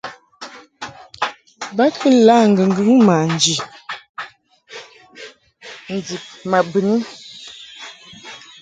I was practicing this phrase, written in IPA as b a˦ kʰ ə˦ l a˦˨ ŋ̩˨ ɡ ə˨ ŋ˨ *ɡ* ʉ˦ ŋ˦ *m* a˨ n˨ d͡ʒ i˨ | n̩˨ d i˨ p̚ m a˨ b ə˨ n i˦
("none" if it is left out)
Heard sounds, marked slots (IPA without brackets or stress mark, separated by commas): ɡ, m